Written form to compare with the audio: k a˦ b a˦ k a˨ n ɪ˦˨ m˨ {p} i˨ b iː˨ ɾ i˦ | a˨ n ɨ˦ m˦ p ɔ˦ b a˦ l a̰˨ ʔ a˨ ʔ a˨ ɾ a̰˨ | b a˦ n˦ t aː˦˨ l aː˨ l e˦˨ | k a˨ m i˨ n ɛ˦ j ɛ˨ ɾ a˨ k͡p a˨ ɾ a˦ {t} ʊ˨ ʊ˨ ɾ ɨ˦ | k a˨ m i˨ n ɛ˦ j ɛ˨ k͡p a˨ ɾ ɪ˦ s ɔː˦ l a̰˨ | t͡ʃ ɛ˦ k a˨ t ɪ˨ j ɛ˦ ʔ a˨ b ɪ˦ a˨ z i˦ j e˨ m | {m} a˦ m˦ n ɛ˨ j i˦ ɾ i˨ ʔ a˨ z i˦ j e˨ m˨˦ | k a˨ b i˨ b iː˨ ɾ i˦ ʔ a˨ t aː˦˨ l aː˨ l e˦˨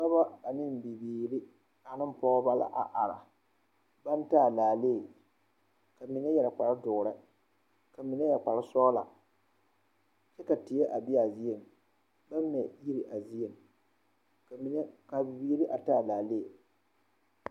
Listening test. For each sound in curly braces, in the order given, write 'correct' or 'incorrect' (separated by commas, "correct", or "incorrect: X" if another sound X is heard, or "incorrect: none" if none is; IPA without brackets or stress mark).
incorrect: b, incorrect: d, incorrect: b